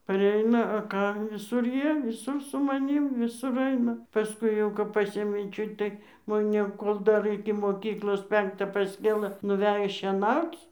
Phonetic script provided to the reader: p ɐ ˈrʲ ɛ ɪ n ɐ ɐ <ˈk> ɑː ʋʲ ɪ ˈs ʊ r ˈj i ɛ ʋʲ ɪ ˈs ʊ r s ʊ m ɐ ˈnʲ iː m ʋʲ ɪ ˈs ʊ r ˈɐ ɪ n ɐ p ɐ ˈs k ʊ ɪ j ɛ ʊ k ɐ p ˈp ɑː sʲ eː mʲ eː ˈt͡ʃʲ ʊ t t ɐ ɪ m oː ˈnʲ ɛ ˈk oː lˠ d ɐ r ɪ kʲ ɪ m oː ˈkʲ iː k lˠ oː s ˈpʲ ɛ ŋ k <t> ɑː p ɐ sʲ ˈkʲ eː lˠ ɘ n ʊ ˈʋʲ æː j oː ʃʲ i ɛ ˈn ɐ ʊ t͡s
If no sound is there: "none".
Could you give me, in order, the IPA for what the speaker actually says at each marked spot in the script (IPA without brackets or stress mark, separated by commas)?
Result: k, t